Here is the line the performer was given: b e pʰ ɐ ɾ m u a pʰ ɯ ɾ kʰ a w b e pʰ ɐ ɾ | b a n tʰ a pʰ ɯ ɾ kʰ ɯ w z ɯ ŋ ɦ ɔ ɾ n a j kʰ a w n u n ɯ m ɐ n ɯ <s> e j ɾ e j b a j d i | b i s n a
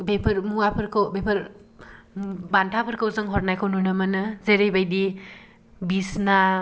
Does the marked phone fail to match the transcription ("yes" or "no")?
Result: yes